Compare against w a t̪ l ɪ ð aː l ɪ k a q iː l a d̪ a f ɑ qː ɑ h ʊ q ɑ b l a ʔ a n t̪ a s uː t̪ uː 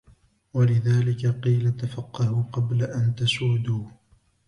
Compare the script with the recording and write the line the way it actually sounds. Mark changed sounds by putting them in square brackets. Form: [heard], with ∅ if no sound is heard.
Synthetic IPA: w a [∅] l ɪ ð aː l ɪ k a q iː l a [t̪] a f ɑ qː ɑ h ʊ q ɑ b l a ʔ a n t̪ a s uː [d̪] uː

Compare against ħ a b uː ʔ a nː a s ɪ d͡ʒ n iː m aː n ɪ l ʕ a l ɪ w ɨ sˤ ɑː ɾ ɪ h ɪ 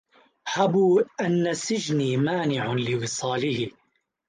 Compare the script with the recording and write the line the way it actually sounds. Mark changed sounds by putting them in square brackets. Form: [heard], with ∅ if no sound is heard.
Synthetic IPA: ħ a b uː ʔ a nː a s ɪ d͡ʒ n iː m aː n ɪ [∅] ʕ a l ɪ w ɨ sˤ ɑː [l] ɪ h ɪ

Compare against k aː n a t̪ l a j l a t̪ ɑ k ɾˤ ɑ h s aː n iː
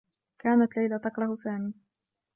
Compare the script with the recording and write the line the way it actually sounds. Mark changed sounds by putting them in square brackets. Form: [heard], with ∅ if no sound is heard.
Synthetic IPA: k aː n a t̪ l a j l a t̪ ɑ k ɾˤ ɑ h s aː [m] iː

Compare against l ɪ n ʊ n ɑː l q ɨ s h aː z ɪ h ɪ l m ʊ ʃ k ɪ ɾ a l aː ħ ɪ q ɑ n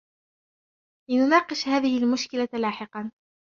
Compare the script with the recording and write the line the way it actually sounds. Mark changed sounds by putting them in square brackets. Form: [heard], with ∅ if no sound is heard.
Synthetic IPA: l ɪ n ʊ n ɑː [∅] q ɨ [ʃ] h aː [ð] ɪ h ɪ l m ʊ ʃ k ɪ [l] a l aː ħ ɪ q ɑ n

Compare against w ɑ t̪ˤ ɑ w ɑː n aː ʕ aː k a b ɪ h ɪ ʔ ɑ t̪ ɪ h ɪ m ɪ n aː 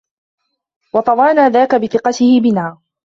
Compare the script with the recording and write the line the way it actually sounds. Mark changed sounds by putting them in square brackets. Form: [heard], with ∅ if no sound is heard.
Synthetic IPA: w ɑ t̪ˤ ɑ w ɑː n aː [ð] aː k a b ɪ [θ] ɪ [q] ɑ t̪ ɪ h ɪ [b] ɪ n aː

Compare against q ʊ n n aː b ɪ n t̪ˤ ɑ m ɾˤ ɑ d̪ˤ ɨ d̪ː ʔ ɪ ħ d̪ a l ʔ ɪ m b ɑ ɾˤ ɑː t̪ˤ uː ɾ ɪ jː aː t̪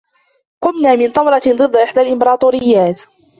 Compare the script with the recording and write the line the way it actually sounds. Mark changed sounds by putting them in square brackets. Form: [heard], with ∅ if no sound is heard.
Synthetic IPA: q ʊ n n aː [m] ɪ n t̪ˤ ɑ m ɾˤ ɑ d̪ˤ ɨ d̪ː ʔ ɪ ħ d̪ a l ʔ ɪ m b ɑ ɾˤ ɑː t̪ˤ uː ɾ ɪ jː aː t̪

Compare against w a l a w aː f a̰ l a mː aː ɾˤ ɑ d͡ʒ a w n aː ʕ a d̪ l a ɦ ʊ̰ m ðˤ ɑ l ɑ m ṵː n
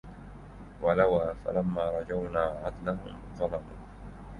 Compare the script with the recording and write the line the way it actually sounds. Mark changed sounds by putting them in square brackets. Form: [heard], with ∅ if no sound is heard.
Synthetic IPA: w a l a w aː f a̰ l a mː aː ɾˤ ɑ d͡ʒ a w n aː ʕ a d̪ l a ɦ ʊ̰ m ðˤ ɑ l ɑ m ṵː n

